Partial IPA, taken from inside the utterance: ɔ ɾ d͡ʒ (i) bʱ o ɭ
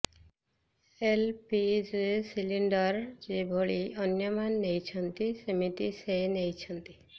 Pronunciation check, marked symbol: incorrect: e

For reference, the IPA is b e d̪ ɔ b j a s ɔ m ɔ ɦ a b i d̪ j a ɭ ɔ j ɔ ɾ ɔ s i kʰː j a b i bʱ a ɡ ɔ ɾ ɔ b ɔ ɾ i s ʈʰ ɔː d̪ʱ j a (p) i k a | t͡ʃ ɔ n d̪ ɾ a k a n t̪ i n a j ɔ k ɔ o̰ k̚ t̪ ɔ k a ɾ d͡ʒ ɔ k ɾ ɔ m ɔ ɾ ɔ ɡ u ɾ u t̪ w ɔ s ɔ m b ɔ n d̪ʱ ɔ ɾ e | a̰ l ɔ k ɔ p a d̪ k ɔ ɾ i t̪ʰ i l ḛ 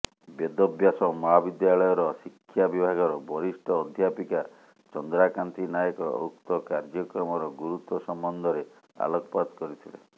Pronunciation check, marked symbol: correct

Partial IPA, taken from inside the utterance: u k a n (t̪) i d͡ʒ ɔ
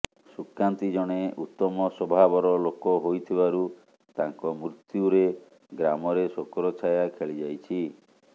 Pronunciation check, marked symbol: correct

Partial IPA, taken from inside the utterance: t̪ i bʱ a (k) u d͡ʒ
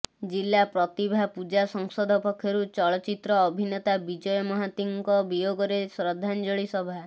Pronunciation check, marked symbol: incorrect: p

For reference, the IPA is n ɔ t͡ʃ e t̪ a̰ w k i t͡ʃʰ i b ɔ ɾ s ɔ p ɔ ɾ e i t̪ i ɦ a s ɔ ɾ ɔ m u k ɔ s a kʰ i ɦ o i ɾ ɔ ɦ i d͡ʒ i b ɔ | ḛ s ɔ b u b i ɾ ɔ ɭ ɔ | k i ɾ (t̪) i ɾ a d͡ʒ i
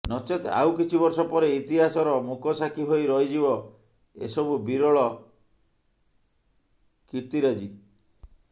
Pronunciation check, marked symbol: correct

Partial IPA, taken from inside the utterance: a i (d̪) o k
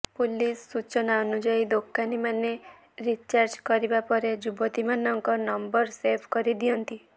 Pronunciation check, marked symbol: correct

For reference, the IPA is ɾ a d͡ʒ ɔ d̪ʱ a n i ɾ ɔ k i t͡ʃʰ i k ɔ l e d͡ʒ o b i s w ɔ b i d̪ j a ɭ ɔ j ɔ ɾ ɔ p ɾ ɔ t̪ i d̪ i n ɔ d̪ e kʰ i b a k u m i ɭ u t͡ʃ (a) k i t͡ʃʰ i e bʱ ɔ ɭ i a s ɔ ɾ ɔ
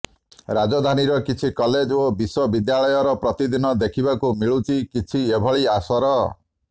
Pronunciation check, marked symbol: incorrect: i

